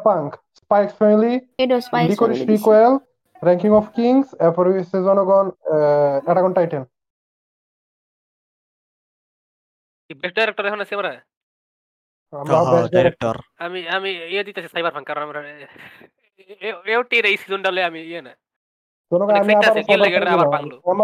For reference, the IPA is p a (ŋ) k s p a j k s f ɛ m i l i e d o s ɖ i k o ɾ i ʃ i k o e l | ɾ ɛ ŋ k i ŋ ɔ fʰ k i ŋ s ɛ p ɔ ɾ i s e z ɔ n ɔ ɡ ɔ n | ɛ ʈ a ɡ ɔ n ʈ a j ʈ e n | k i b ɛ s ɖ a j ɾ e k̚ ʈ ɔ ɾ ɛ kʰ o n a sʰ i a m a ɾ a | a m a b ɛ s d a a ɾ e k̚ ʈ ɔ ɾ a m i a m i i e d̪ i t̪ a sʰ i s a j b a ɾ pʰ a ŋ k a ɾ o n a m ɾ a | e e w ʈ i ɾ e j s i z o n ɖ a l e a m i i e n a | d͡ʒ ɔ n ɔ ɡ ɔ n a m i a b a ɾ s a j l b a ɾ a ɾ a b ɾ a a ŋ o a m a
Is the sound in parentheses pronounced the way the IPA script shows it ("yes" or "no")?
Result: yes